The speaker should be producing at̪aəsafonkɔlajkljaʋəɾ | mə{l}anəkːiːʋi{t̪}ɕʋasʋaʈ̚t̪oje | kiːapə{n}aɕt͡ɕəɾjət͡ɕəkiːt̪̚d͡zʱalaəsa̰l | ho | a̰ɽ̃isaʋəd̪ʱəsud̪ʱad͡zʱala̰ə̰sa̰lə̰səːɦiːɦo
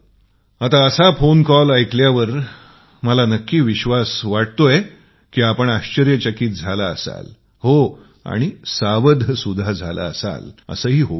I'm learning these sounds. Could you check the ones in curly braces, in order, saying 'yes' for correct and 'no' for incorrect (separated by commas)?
yes, no, no